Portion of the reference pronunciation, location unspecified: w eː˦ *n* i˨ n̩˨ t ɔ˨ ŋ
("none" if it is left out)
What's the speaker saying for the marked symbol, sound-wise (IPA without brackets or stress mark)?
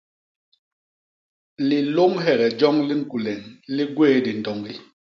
d